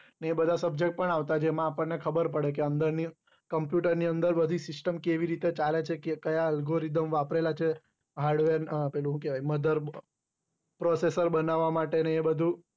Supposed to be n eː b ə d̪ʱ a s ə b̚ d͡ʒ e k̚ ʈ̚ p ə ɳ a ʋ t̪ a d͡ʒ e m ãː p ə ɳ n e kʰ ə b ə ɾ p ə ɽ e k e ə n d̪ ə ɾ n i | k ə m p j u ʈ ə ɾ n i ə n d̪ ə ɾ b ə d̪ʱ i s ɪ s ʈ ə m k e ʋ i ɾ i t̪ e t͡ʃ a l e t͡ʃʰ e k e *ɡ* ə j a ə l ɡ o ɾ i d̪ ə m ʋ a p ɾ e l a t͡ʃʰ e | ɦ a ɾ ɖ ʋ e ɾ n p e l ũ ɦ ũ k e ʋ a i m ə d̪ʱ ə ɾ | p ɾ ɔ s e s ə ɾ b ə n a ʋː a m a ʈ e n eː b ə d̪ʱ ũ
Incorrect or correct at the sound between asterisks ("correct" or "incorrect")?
incorrect